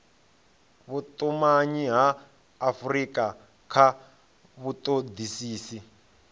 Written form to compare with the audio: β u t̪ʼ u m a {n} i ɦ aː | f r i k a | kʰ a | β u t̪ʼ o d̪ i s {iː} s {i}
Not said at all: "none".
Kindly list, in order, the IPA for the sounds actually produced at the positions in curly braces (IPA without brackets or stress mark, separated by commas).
ɲ, iː, i